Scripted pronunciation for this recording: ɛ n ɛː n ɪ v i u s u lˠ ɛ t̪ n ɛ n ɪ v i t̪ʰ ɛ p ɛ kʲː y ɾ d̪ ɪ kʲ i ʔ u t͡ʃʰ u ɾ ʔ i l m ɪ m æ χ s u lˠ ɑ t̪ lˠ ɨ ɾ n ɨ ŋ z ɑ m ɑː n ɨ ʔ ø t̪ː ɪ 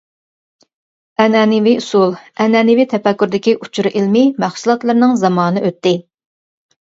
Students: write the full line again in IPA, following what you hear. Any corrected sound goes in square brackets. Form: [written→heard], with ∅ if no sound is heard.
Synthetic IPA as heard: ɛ n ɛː n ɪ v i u s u lˠ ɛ [t̪→∅] n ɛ n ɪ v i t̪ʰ ɛ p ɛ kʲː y ɾ d̪ ɪ kʲ i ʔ u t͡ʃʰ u ɾ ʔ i l m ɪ m æ χ s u lˠ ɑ t̪ lˠ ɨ ɾ n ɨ ŋ z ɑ m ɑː n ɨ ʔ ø t̪ː ɪ